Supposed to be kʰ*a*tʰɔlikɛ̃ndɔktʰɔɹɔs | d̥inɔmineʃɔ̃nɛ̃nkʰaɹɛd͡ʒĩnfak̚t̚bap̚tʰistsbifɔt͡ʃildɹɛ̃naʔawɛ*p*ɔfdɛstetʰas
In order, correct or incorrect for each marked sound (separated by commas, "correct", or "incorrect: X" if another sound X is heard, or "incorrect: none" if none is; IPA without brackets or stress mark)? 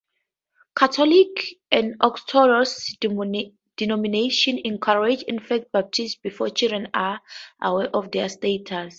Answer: correct, incorrect: ʔ